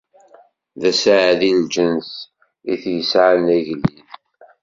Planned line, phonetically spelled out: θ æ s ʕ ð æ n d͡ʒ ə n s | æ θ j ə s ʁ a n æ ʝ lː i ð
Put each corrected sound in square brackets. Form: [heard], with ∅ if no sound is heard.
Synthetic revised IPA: [ð] æ s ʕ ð [i] n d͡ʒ ə n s | [i] θ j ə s [ʕ] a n æ ʝ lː i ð